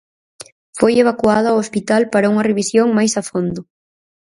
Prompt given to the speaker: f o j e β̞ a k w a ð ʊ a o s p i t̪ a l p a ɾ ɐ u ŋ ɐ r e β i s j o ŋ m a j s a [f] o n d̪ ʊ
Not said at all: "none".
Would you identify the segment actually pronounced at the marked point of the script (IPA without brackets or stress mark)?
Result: f